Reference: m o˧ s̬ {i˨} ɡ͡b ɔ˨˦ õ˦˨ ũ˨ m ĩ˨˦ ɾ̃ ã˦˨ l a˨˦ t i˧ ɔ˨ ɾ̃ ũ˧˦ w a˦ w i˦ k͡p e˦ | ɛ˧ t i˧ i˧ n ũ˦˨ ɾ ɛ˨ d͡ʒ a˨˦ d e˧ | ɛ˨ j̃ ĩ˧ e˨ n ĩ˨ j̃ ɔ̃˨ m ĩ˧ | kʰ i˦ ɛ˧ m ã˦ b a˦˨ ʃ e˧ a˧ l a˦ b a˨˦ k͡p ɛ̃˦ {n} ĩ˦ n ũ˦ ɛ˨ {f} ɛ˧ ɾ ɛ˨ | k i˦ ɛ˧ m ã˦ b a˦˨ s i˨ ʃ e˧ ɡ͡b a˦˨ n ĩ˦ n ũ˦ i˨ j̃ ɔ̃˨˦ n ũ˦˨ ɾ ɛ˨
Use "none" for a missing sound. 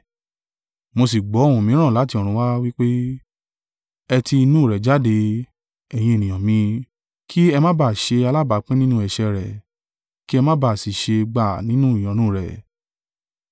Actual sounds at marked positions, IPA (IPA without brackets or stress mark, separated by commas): i˨, n, ʃ